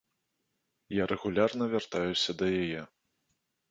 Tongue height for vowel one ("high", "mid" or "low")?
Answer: low